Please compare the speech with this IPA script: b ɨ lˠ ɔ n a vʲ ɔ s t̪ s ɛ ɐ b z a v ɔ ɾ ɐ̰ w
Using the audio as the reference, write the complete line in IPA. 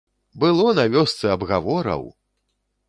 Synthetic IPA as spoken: b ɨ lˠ ɔ n a vʲ ɔ s t̪ s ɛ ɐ b ɣ a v ɔ ɾ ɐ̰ w